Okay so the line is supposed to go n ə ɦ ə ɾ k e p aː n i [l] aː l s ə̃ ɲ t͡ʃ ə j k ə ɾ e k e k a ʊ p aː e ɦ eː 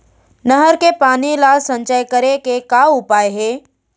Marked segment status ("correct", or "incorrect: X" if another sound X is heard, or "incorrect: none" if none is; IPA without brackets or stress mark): correct